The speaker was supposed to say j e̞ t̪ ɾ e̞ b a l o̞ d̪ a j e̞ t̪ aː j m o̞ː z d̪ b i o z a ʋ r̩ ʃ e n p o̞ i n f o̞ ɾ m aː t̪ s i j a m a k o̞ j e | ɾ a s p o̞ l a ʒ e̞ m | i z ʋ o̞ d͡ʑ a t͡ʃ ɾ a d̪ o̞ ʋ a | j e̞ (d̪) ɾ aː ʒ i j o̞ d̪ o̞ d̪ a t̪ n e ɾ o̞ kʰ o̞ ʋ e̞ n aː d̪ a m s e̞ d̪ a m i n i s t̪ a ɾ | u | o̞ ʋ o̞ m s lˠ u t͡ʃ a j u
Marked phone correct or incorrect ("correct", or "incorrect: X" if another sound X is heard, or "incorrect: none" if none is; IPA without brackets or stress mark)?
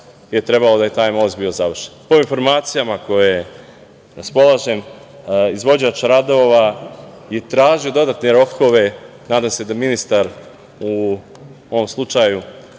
incorrect: t̪